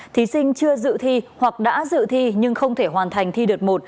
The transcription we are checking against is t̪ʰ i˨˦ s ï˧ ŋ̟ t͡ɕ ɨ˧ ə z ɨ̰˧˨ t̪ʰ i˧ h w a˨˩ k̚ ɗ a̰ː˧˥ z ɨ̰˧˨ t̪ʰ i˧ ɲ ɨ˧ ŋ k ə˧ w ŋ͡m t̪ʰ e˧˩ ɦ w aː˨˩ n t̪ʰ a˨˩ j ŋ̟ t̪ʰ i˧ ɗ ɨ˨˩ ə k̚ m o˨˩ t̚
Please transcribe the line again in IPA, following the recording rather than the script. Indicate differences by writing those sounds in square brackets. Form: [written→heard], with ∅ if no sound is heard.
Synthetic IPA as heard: t̪ʰ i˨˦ s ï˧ ŋ̟ t͡ɕ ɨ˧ ə z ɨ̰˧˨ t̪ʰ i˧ h w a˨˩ k̚ ɗ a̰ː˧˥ z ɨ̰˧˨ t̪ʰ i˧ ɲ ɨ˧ ŋ [k→x] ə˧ w ŋ͡m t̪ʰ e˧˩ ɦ w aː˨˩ n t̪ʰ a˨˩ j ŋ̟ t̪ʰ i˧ ɗ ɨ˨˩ ə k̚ m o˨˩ t̚